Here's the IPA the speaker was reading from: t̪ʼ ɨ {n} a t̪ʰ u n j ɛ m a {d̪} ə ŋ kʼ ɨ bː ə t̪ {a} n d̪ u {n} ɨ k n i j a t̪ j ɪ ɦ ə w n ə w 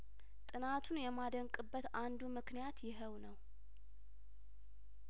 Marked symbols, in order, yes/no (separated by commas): yes, yes, yes, no